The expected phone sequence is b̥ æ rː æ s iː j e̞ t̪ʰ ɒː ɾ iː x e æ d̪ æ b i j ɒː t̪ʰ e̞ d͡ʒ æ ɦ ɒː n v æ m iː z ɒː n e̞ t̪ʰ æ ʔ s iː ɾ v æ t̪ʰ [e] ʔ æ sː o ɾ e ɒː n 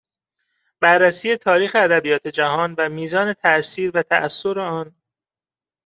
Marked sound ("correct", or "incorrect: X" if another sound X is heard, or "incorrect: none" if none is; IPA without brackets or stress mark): incorrect: æ